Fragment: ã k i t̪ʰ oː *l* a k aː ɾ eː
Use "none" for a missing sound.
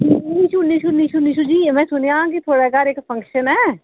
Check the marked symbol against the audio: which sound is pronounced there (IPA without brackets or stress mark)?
ɽ